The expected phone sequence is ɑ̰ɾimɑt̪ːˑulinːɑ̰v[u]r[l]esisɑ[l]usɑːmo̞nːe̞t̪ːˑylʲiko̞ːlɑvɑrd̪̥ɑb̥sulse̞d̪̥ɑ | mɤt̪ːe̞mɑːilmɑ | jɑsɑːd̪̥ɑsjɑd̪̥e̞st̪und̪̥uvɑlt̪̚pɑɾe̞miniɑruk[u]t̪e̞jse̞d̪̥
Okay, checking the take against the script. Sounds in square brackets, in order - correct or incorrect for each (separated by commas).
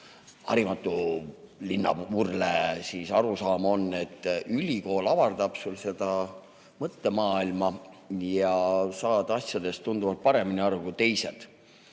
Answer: correct, correct, incorrect, correct